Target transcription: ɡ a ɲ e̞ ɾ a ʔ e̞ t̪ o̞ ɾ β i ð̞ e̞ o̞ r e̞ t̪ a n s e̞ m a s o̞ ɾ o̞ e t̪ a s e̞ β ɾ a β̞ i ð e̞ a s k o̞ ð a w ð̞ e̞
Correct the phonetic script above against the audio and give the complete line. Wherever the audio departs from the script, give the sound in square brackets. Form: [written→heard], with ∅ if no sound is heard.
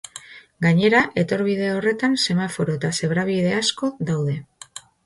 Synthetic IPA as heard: ɡ a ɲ e̞ ɾ a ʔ e̞ t̪ o̞ ɾ β i ð̞ e̞ o̞ r e̞ t̪ a n s e̞ m a [s→f] o̞ ɾ o̞ e t̪ a s e̞ β ɾ a β̞ i ð e̞ a s k o̞ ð a w ð̞ e̞